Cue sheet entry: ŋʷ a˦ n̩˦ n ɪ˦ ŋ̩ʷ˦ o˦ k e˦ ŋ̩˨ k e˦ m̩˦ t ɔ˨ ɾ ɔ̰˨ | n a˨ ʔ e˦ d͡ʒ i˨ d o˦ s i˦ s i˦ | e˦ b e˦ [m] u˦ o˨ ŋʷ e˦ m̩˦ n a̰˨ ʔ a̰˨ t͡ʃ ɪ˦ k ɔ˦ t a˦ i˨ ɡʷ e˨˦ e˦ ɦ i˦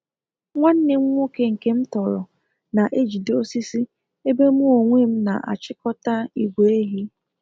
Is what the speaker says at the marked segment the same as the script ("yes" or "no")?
yes